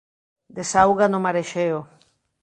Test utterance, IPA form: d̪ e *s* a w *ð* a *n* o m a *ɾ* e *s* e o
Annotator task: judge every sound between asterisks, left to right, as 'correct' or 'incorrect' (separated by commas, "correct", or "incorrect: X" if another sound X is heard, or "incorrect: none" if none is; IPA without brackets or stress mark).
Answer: correct, incorrect: ɣ, correct, correct, incorrect: ʃ